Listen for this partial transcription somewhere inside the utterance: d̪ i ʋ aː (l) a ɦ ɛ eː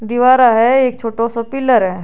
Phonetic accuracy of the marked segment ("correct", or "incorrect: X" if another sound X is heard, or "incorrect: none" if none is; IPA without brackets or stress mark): incorrect: ɾ